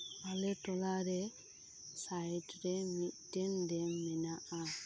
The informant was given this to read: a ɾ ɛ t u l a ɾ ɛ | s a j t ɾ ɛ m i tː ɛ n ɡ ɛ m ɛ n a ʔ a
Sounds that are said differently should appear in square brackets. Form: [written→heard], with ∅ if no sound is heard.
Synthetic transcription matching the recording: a [ɾ→l] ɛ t [u→ɔ] l a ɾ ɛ | s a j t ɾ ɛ m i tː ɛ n [ɡ→d] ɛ m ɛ n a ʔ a